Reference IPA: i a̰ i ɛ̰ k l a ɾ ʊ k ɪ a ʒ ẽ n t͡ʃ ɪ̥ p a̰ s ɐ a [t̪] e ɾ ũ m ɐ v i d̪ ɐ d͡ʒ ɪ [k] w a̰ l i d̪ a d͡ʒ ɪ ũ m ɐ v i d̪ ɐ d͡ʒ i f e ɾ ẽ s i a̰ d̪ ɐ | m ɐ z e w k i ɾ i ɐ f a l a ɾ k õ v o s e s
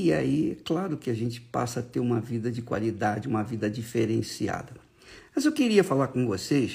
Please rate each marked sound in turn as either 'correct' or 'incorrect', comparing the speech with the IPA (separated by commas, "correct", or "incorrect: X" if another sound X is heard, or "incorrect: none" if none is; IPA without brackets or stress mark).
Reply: correct, correct